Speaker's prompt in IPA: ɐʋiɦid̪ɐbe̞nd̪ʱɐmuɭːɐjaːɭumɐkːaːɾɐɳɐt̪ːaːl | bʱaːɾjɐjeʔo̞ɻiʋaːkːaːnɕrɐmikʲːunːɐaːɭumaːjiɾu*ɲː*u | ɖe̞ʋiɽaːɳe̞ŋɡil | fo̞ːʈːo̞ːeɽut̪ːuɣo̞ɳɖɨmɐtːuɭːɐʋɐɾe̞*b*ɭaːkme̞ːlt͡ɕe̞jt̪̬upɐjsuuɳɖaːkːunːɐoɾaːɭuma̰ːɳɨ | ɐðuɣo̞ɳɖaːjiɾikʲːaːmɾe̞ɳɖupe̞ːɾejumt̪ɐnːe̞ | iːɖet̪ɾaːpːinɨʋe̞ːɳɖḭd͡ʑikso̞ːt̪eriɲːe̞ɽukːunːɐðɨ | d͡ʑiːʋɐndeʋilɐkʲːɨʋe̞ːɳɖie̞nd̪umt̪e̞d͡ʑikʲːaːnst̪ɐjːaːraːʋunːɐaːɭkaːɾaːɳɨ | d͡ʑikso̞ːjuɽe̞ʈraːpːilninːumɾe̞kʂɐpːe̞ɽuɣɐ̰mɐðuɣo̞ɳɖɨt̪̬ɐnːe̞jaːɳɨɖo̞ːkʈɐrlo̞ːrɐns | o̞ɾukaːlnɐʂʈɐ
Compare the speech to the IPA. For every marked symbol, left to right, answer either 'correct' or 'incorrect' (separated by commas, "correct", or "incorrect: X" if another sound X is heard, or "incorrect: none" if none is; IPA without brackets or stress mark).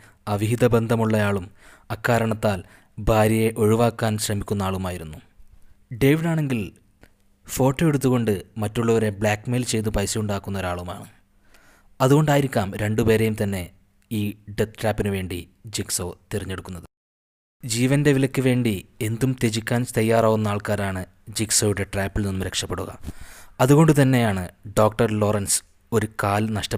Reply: incorrect: nː, correct